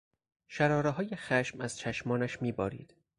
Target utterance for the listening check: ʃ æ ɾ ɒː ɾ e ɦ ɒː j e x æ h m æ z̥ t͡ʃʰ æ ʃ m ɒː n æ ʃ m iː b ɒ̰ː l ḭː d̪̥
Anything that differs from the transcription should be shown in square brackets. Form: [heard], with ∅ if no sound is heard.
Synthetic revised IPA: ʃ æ ɾ ɒː ɾ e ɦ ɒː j e x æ [ʃ] m æ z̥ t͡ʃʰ æ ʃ m ɒː n æ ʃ m iː b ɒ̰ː [ɾ] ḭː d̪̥